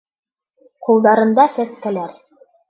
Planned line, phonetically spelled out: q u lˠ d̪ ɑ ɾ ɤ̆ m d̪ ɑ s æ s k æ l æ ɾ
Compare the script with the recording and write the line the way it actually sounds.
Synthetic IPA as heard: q u lˠ d̪ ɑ ɾ ɤ̆ n d̪ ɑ s æ s k æ l æ ɾ